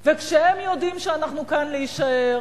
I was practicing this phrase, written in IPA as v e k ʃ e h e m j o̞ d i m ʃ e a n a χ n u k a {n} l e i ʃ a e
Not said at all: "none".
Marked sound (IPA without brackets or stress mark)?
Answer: n